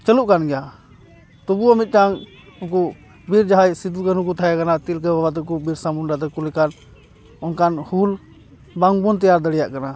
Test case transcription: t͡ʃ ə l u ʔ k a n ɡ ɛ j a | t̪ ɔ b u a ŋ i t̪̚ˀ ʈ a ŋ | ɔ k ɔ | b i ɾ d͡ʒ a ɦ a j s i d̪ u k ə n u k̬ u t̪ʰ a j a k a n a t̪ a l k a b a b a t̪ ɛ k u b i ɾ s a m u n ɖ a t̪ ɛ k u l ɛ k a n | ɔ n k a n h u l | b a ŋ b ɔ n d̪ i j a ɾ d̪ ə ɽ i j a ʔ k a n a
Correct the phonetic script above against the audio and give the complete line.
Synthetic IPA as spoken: t͡ʃ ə l u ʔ k a n ɡ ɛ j a | t̪ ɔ b u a m i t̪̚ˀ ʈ a ŋ | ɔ k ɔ | b i ɾ d͡ʒ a ɦ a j s i d̪ u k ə n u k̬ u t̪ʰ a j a k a n a t̪ i l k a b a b a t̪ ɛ k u b i ɾ s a m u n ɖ a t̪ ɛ k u l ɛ k a n | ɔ n k a n h u l | b a ŋ b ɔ n t̪ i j a ɾ d̪ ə ɽ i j a ʔ k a n a